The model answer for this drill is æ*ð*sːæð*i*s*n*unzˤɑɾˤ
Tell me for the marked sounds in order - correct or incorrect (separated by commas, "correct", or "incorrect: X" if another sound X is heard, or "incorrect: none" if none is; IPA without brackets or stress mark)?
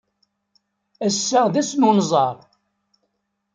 incorrect: none, incorrect: æ, correct